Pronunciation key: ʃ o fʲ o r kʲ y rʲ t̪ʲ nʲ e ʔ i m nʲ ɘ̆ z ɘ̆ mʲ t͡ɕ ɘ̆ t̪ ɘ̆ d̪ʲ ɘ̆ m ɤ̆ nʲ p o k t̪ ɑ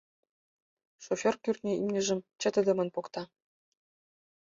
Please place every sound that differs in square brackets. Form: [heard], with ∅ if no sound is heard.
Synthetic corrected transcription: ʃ o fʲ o r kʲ y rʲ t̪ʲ nʲ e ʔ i m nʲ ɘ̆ [ʒ] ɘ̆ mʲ t͡ɕ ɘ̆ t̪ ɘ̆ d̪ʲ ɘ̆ m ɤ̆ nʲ p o k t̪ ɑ